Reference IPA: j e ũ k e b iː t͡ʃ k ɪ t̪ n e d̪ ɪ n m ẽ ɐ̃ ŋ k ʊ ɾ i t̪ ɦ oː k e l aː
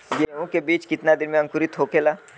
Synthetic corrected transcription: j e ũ k e b iː t͡ʃ k ɪ t̪ n a d̪ ɪ n m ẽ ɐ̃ ŋ k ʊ ɾ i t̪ ɦ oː k e l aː